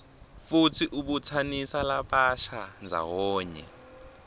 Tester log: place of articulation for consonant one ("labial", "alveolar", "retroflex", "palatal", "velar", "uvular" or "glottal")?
labial